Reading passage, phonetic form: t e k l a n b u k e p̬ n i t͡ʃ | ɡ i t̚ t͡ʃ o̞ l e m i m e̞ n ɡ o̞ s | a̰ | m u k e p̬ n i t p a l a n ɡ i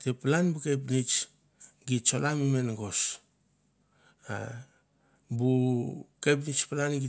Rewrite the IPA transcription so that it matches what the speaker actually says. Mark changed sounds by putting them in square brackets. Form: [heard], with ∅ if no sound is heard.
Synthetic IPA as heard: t e [p] l a n b u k e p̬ n i t͡ʃ | ɡ i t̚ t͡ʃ o̞ l [a] m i m e̞ n ɡ o̞ s | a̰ | [b] u k e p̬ n i [t͡ʃ] p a l a n ɡ i